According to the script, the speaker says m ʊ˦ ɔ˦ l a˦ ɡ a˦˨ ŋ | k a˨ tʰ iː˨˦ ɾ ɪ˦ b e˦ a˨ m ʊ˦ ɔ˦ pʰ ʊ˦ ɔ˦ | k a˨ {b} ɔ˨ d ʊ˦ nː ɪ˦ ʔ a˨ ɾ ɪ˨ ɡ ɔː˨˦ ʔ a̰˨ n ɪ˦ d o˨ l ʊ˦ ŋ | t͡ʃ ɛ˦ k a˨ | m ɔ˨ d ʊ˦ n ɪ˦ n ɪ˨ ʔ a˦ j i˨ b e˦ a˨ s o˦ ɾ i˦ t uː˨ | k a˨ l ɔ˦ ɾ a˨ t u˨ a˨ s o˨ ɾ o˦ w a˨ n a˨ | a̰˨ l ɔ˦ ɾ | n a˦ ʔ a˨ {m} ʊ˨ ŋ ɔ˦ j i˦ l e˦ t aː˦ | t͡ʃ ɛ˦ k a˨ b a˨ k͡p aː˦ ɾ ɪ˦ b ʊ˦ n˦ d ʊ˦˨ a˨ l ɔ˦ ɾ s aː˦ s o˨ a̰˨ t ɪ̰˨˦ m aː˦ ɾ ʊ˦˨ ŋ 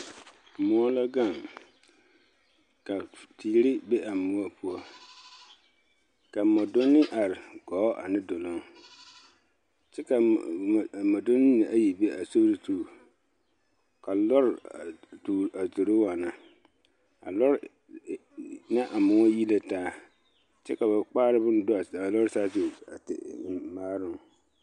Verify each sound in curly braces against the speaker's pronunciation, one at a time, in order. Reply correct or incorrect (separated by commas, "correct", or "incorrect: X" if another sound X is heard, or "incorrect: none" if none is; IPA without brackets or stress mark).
incorrect: m, correct